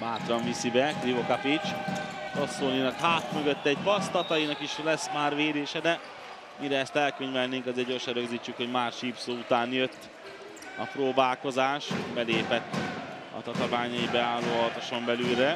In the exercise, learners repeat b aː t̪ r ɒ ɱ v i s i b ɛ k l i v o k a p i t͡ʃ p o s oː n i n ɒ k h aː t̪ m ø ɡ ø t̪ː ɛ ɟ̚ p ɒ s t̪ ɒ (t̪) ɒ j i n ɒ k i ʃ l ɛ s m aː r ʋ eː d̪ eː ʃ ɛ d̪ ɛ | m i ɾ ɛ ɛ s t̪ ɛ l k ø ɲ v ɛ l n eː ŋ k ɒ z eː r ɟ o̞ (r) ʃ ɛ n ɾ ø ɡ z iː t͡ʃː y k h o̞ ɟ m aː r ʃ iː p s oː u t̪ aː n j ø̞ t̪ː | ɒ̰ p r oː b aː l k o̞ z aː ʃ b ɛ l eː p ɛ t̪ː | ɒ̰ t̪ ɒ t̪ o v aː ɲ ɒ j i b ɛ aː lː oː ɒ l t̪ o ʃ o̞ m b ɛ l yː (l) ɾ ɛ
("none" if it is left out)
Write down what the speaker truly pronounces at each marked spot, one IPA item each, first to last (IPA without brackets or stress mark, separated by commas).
t̪, r, l